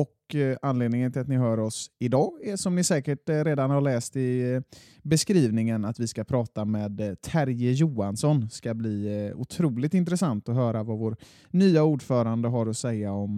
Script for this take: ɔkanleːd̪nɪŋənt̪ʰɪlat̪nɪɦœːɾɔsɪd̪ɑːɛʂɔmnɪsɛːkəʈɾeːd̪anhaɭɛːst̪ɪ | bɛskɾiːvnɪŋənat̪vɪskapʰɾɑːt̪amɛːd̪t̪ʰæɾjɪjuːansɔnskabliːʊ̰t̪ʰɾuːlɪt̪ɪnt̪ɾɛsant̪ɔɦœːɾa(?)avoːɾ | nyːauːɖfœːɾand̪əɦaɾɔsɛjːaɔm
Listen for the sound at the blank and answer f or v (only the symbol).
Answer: v